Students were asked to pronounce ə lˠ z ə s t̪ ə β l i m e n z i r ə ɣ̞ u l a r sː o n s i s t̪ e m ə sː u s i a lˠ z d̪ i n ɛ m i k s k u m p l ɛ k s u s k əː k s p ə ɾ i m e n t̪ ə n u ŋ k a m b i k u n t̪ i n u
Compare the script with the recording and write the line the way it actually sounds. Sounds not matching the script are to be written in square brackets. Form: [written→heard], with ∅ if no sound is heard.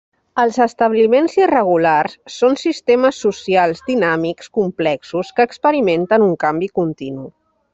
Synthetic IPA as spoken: ə lˠ z ə s t̪ ə β l i m e n z i r ə ɣ̞ u l a r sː o n s i s t̪ e m ə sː u s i a lˠ z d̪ i n [ɛ→a] m i k s k u m p l ɛ k s u s k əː k s p ə ɾ i m e n t̪ ə n u ŋ k a m b i k u n t̪ i n u